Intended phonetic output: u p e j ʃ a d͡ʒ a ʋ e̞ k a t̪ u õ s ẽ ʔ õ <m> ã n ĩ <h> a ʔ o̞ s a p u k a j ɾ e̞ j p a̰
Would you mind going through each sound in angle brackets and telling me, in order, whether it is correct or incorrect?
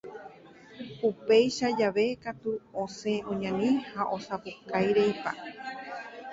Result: incorrect, correct

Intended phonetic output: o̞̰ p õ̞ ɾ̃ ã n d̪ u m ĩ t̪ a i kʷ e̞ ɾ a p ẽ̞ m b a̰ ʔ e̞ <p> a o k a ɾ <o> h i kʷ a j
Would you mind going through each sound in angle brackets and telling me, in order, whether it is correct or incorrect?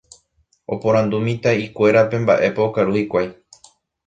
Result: correct, incorrect

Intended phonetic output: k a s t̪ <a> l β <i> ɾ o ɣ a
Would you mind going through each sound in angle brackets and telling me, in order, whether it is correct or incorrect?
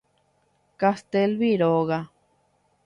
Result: incorrect, correct

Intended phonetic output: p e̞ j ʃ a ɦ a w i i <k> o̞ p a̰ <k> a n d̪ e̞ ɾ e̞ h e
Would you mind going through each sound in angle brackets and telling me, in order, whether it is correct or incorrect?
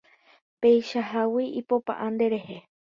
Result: incorrect, incorrect

